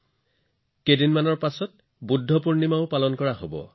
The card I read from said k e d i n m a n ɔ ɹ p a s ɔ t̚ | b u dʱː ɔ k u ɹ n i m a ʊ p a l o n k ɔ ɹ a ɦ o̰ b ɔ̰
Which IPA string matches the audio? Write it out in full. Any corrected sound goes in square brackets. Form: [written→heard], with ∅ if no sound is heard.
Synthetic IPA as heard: k e d i n m a n ɔ ɹ p a s ɔ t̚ | b u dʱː ɔ [k→p] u ɹ n i m a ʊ p a l [o→ɔ] n k ɔ ɹ a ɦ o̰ b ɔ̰